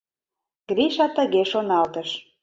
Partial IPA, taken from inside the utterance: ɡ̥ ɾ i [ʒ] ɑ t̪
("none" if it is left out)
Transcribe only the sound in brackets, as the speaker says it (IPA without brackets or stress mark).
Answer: ʃ